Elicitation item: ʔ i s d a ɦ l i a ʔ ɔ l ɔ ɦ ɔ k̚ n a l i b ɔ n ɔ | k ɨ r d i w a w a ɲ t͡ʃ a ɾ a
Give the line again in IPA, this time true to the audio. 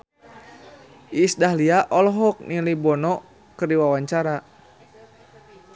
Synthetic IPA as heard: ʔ i s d a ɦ l i a ʔ ɔ l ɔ ɦ ɔ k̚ n i l i b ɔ n ɔ | k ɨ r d i w a w a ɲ t͡ʃ a ɾ a